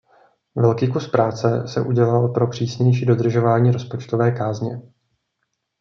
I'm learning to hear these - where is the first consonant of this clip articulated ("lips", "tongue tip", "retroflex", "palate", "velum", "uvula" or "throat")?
lips